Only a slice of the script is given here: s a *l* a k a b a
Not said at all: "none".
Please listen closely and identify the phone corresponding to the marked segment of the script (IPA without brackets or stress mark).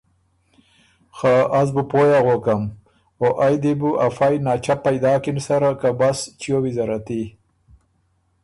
ɾ